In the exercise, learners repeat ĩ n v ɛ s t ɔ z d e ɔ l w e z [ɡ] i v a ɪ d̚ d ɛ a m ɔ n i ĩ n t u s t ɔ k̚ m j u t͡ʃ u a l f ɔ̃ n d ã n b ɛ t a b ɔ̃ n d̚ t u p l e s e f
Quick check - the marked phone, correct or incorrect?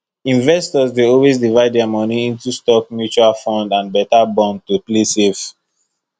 incorrect